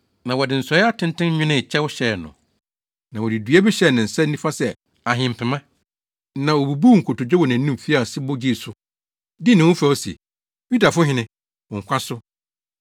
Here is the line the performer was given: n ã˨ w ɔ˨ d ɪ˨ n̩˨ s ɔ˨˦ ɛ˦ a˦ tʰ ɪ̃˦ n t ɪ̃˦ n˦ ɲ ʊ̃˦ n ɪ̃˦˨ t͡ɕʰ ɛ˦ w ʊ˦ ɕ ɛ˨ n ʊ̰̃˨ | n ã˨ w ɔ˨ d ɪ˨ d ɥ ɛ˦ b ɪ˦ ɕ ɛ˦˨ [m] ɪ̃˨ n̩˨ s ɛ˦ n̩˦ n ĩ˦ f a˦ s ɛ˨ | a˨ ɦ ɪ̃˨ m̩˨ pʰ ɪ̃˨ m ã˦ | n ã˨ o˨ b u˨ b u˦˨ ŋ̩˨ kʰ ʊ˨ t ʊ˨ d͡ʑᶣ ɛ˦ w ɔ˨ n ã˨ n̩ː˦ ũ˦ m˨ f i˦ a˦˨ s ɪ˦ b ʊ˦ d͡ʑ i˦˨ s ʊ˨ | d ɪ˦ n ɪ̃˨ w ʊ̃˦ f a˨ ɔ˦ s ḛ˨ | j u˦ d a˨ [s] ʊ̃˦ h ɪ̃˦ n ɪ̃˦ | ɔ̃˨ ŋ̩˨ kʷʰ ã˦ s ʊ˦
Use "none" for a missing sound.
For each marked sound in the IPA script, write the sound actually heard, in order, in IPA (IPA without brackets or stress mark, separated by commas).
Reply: n, f